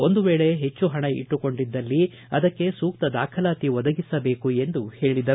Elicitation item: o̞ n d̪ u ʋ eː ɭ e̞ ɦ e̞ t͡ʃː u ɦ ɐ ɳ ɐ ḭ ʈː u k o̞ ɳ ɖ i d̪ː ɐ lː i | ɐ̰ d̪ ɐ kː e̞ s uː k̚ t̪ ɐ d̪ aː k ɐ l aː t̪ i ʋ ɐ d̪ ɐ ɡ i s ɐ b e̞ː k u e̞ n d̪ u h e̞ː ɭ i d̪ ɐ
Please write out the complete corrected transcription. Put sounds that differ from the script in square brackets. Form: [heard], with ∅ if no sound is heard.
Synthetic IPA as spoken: o̞ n d̪ u ʋ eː ɭ e̞ ɦ e̞ t͡ʃː u ɦ ɐ ɳ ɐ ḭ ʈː u k o̞ ɳ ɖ i d̪ː ɐ lː i | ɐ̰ d̪ ɐ kː e̞ s uː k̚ t̪ ɐ d̪ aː [kʰ] ɐ l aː t̪ i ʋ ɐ d̪ ɐ ɡ i s ɐ b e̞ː k u e̞ n d̪ u h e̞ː ɭ i d̪ ɐ